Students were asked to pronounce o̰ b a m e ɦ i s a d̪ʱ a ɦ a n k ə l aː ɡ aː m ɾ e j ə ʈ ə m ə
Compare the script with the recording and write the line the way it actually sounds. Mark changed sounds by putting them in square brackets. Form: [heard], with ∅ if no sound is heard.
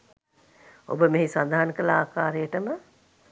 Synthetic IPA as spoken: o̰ b [ə] m e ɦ i s a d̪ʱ a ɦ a n k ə l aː [k] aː [∅] ɾ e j ə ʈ ə m ə

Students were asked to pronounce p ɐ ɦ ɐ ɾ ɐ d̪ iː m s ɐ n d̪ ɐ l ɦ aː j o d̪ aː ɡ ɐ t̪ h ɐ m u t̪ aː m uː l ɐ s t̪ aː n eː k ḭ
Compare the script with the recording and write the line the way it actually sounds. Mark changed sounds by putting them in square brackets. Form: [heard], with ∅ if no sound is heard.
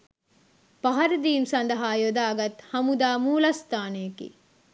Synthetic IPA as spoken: p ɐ ɦ ɐ ɾ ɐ d̪ iː m s ɐ n d̪ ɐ [∅] ɦ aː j o d̪ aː ɡ ɐ t̪ h ɐ m u [d̪] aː m uː l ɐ s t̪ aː n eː k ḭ

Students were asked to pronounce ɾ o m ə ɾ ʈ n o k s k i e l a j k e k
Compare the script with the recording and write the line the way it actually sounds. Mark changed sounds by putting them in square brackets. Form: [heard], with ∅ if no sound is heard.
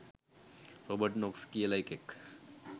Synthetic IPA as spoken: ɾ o [b] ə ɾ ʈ n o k s k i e l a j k e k

